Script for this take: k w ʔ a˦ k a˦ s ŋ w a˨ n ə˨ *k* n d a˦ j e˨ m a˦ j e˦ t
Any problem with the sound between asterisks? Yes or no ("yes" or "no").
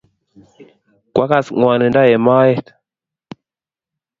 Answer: yes